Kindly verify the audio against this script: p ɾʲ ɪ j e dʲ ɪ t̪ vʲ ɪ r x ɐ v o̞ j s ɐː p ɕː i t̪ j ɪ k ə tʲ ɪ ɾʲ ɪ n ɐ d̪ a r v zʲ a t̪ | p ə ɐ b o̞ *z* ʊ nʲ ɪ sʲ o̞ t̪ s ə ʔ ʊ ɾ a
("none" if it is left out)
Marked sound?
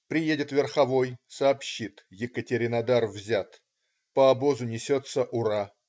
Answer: z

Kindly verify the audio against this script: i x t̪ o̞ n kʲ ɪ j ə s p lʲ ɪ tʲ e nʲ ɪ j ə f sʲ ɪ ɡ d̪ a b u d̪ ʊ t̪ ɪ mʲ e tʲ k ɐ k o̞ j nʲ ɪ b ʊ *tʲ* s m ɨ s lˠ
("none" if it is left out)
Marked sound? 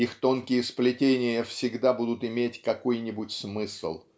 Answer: tʲ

